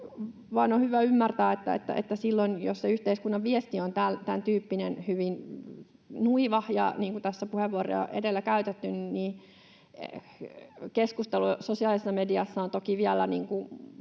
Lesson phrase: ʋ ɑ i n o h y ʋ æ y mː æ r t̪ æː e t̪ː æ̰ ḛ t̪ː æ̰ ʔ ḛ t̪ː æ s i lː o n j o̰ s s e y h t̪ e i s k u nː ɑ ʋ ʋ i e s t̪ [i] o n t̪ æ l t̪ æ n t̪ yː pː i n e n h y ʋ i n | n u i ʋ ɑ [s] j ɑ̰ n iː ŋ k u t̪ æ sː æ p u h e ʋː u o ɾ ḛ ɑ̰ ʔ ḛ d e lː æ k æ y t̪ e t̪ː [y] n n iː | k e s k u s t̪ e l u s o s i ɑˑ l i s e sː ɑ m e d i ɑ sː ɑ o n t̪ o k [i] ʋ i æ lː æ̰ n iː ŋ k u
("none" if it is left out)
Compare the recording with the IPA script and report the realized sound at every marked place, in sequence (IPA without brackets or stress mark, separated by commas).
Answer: i, h, y, i